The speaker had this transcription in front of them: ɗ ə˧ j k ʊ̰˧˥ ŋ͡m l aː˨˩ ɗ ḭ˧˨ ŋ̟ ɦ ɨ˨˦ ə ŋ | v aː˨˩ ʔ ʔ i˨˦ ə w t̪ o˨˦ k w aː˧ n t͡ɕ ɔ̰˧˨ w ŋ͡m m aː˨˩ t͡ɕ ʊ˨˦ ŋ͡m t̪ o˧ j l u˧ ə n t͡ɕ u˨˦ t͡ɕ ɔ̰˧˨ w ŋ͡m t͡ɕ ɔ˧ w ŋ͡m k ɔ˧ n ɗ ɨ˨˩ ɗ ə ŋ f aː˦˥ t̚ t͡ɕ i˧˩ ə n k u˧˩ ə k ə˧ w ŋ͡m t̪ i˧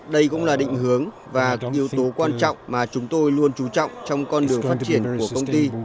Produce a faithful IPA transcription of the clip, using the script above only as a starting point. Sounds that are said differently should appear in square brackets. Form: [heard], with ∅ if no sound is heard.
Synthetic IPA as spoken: ɗ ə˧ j k ʊ̰˧˥ ŋ͡m l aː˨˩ ɗ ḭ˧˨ ŋ̟ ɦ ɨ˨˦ ə ŋ | v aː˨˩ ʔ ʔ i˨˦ ə w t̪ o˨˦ k w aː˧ n t͡ɕ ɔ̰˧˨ w ŋ͡m m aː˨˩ t͡ɕ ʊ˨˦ ŋ͡m t̪ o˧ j l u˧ ə n t͡ɕ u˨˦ t͡ɕ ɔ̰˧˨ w ŋ͡m t͡ɕ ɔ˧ w ŋ͡m k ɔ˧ n ɗ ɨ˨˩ [∅] ə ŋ f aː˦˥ t̚ t͡ɕ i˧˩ ə n k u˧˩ ə k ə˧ w ŋ͡m t̪ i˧